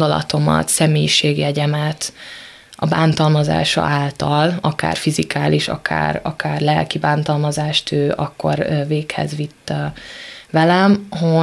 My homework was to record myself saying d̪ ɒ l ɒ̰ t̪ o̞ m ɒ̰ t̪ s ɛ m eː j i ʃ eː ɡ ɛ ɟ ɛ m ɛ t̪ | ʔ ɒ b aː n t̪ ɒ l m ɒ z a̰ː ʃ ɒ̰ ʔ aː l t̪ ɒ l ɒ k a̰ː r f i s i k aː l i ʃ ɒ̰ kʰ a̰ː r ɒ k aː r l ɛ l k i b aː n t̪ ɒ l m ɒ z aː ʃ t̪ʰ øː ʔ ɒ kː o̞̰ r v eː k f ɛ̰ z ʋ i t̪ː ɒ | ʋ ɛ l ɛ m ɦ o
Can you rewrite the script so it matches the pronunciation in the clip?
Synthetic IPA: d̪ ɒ l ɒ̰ t̪ o̞ m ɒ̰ t̪ s ɛ m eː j i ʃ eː ɡ ɛ ɟ ɛ m ɛ t̪ | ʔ ɒ b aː n t̪ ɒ l m ɒ z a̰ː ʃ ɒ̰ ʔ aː l t̪ ɒ l ɒ k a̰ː r f i z i k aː l i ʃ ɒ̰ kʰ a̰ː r ɒ k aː r l ɛ l k i b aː n t̪ ɒ l m ɒ z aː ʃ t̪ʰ øː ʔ ɒ kː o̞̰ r v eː k h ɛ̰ z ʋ i t̪ː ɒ | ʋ ɛ l ɛ m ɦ o